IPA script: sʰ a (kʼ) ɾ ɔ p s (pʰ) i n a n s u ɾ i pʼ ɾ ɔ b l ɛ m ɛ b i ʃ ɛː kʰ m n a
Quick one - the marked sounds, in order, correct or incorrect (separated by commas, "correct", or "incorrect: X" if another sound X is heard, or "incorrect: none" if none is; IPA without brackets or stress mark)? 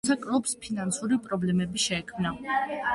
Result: correct, correct